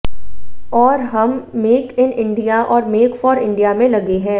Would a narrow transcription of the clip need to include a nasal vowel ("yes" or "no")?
yes